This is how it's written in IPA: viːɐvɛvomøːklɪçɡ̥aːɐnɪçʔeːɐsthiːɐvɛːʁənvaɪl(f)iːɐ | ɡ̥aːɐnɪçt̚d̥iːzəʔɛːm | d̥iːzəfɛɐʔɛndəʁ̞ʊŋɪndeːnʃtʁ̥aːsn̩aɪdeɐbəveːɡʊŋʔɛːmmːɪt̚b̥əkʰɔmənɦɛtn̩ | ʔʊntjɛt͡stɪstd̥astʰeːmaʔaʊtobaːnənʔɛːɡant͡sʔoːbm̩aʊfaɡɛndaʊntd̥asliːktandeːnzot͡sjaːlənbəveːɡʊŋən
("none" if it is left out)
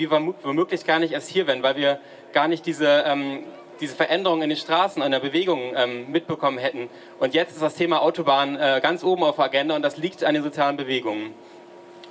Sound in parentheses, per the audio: v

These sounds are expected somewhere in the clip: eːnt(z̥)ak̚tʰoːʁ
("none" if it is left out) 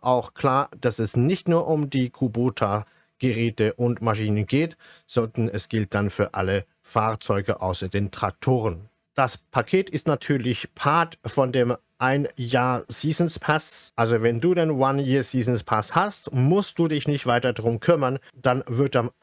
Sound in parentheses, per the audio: ʁ̥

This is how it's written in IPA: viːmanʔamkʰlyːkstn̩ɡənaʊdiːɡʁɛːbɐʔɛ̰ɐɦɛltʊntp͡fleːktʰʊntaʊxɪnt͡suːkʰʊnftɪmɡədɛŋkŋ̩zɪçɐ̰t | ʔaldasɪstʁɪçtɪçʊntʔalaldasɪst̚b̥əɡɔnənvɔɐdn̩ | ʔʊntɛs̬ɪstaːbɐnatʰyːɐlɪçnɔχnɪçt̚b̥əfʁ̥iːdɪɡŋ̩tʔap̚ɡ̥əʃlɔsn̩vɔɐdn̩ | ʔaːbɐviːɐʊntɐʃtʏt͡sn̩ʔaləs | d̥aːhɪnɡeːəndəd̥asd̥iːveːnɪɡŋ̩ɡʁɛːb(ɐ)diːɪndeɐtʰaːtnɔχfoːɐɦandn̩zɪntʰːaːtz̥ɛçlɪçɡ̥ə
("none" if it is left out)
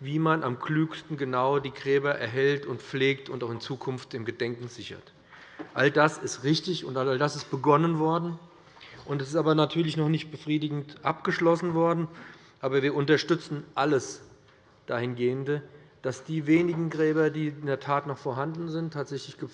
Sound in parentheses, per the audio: ɐ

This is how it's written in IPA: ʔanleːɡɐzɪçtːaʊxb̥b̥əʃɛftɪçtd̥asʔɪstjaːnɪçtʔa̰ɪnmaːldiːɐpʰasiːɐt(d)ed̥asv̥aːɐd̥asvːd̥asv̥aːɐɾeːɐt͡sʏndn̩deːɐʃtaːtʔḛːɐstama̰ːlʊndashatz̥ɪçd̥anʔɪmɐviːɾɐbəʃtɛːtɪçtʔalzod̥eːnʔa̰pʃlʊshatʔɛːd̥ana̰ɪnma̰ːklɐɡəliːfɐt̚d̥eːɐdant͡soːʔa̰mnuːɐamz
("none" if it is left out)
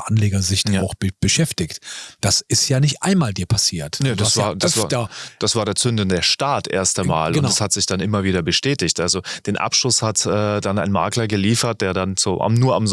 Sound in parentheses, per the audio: n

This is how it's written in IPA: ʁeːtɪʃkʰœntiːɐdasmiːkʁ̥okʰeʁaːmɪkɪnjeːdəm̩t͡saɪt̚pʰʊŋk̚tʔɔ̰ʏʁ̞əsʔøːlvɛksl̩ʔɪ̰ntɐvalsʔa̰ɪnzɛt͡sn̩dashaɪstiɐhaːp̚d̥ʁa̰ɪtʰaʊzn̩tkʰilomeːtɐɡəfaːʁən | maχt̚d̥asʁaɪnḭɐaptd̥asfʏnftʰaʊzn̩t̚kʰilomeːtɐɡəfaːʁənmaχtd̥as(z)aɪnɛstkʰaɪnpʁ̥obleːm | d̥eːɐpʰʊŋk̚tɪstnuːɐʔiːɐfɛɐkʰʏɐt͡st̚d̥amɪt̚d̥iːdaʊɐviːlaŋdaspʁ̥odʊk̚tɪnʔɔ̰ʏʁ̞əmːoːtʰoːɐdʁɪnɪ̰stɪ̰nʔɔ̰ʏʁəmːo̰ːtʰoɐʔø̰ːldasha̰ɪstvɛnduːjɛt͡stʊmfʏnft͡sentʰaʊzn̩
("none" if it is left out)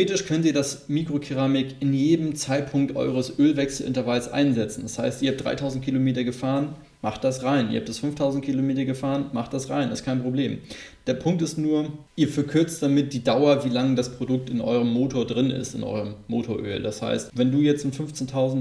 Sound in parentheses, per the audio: ʁ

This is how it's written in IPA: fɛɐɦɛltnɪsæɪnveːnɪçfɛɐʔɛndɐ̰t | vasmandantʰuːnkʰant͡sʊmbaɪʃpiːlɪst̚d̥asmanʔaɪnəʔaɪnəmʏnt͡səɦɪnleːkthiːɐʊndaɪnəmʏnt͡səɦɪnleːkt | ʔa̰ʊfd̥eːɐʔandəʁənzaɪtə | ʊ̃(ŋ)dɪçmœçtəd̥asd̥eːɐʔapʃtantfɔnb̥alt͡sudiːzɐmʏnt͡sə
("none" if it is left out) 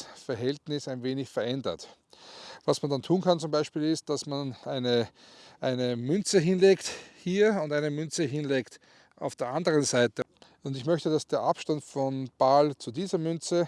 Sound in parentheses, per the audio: n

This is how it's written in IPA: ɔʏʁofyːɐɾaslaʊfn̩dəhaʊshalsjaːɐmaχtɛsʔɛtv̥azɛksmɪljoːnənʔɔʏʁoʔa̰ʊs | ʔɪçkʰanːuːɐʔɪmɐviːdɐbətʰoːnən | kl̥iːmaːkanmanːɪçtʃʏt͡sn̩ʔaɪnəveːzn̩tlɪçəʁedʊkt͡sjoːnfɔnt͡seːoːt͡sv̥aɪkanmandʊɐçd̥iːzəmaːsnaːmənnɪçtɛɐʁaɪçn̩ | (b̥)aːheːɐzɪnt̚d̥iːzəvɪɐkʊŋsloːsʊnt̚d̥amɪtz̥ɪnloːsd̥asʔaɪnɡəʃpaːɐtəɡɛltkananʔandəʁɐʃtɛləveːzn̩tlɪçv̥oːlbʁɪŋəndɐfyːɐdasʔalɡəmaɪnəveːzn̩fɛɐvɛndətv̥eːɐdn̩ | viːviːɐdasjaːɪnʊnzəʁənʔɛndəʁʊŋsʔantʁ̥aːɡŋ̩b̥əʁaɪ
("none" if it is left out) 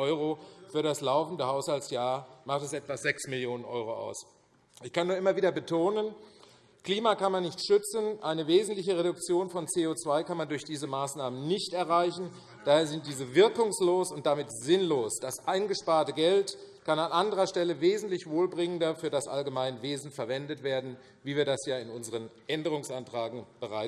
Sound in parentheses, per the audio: d̥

